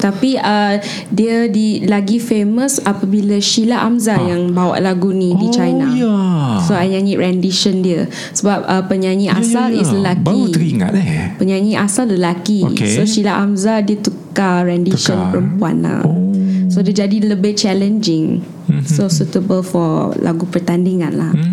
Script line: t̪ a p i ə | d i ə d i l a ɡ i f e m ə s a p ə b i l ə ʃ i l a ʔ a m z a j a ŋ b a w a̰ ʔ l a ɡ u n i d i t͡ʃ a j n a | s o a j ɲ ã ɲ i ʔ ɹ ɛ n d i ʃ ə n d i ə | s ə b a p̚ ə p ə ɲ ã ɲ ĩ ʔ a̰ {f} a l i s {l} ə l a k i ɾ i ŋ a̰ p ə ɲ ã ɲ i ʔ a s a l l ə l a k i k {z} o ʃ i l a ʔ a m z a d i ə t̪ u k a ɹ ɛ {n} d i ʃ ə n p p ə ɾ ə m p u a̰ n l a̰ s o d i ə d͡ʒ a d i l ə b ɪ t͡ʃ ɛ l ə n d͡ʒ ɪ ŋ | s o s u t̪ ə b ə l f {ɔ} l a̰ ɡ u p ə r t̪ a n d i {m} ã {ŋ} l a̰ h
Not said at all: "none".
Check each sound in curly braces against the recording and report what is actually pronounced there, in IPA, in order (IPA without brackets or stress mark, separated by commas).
s, l, s, n, ɔ, ŋ, n